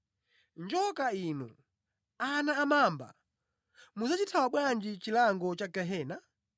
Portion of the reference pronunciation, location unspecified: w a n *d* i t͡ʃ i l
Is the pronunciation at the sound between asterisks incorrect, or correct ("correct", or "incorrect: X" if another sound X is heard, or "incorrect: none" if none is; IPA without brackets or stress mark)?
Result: incorrect: d͡ʒ